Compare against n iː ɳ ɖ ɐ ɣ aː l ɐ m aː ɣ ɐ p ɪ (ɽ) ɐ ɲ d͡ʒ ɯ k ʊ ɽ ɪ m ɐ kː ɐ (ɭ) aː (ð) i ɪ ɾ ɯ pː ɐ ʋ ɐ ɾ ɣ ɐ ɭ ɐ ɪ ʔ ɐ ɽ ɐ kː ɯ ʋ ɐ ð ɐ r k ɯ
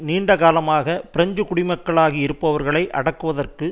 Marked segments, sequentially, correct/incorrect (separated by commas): incorrect, correct, incorrect